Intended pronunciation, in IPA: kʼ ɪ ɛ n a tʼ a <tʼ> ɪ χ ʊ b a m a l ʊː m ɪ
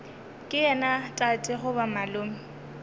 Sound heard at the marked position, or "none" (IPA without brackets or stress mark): tʼ